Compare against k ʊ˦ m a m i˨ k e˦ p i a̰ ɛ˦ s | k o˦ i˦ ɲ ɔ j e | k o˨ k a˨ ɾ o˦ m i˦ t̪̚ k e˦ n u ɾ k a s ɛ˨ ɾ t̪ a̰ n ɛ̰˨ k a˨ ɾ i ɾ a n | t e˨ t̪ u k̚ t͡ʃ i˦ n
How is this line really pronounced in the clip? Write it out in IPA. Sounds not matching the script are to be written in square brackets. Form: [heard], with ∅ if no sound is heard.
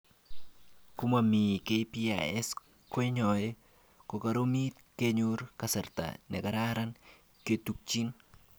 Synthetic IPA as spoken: k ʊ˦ m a m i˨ k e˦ p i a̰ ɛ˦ s | k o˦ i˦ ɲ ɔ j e | k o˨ k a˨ ɾ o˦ m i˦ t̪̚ k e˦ [ɲ] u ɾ k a s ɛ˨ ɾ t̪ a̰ n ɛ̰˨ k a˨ ɾ [a] ɾ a n | [k] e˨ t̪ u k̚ t͡ʃ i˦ n